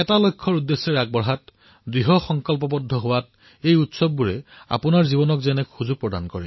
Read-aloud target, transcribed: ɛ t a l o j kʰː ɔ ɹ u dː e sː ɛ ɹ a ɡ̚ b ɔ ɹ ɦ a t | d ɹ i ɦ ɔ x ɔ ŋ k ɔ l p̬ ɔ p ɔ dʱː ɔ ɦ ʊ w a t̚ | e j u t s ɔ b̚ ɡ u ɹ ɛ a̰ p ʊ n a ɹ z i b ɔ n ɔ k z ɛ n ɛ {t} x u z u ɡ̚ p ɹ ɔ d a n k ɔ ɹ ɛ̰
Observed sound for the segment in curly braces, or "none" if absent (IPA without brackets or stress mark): k